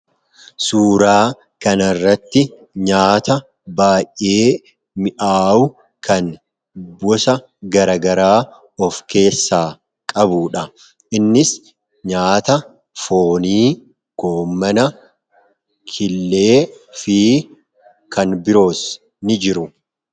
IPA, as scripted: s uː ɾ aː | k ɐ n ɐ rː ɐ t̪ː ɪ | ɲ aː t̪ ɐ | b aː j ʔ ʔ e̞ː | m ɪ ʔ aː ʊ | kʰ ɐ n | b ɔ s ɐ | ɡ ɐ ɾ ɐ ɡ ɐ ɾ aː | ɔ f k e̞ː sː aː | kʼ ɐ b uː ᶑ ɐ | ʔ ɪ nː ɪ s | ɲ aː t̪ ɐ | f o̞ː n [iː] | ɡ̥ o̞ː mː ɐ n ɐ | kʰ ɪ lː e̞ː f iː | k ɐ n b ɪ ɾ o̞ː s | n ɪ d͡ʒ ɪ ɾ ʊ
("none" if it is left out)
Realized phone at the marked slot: iː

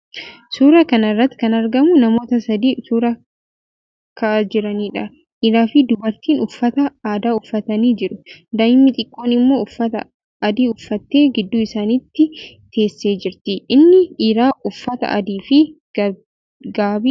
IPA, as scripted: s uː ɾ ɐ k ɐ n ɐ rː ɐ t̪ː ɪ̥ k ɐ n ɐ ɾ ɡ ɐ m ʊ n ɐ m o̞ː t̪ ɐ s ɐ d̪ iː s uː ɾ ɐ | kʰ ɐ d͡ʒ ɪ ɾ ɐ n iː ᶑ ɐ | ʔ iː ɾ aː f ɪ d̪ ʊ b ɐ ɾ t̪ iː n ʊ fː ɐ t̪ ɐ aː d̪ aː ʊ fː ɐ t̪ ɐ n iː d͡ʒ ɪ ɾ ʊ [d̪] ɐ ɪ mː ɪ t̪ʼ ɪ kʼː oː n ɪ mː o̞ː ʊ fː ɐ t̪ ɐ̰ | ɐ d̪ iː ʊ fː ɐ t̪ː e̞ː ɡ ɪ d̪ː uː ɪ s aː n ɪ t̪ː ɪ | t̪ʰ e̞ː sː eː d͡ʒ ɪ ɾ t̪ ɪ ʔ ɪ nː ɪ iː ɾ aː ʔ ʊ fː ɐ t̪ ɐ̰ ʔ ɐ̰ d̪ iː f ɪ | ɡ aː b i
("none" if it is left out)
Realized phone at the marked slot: d̪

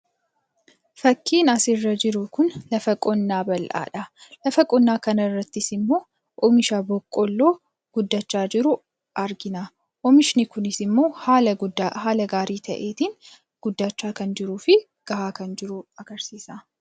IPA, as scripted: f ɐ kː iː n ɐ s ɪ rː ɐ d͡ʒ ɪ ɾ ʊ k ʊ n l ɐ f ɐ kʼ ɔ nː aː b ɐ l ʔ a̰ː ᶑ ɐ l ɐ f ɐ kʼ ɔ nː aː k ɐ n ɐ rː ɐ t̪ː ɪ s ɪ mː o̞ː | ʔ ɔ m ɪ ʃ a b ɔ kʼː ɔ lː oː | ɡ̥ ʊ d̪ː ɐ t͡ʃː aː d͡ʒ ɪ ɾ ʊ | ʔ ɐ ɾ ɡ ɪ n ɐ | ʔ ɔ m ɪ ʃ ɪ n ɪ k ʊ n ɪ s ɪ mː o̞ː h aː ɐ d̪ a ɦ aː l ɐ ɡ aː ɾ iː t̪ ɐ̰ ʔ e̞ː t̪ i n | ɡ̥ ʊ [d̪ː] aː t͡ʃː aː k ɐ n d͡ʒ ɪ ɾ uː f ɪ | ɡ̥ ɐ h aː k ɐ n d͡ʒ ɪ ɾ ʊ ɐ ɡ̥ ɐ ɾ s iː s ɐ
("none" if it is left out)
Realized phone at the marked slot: d̪ː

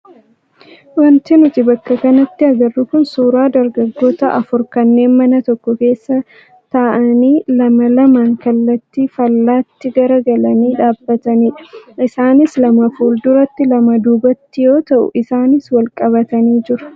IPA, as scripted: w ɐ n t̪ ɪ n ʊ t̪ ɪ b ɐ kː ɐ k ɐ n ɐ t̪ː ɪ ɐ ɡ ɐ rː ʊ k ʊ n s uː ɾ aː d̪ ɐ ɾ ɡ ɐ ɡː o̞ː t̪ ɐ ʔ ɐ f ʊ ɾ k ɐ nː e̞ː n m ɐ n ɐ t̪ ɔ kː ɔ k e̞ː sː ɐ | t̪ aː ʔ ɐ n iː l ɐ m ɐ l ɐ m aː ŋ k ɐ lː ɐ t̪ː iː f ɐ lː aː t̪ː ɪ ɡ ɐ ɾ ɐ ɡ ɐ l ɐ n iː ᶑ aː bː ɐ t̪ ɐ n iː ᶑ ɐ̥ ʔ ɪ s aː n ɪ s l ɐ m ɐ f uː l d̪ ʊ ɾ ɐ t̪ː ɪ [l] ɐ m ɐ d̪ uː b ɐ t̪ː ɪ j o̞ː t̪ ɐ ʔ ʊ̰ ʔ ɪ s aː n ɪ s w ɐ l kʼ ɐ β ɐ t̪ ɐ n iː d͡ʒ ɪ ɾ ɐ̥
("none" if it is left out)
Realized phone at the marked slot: l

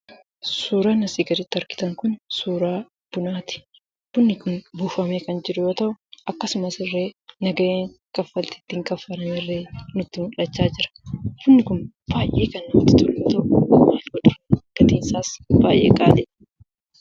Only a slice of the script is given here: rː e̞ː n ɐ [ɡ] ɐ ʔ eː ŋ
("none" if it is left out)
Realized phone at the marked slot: ɡ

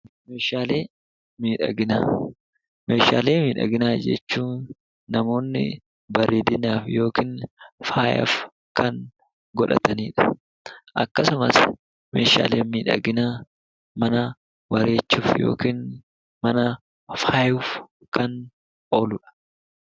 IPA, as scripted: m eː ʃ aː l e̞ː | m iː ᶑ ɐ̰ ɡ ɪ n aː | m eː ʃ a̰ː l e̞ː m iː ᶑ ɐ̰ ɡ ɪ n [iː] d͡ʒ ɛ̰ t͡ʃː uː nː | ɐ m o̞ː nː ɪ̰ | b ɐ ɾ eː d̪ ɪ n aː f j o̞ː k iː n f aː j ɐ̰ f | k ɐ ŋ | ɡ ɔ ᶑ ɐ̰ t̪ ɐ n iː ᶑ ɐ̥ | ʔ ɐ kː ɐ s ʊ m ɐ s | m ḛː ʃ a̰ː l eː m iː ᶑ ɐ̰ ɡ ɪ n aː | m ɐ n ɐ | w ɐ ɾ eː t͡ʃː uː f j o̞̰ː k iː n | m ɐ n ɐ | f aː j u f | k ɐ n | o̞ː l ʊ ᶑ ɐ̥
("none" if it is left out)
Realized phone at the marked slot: aː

